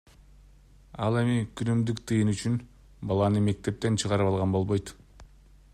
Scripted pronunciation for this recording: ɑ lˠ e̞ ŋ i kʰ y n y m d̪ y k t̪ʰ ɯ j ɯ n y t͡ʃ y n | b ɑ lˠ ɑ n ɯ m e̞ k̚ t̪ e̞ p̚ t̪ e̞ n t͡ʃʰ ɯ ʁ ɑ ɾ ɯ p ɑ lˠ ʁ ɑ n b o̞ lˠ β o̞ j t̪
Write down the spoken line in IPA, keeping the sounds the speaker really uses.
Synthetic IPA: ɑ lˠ e̞ m i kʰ y n y m d̪ y k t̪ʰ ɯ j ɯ n y t͡ʃ y n | b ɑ lˠ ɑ n ɯ m e̞ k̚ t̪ e̞ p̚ t̪ e̞ n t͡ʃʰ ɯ ʁ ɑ ɾ ɯ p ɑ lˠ ʁ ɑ n b o̞ lˠ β o̞ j t̪